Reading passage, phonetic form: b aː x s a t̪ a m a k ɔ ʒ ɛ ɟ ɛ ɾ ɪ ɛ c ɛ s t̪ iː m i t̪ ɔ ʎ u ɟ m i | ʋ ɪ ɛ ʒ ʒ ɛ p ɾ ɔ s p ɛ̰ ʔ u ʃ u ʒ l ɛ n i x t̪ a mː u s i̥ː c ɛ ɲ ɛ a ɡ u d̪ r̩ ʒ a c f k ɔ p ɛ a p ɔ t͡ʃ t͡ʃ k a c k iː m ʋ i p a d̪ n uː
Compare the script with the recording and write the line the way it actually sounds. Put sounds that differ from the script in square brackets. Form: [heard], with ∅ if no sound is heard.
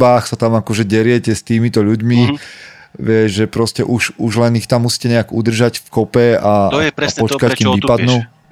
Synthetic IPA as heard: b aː x s a t̪ a m a k ɔ ʒ ɛ ɟ ɛ ɾ ɪ ɛ c ɛ s t̪ iː m i t̪ ɔ ʎ u ɟ m i | ʋ ɪ ɛ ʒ ʒ ɛ p ɾ ɔ s [c] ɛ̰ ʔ u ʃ u ʒ l ɛ n i x t̪ a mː u s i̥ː c ɛ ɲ ɛ a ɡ u d̪ r̩ ʒ a c f k ɔ p ɛ a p ɔ t͡ʃ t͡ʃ k a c k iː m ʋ i p a d̪ n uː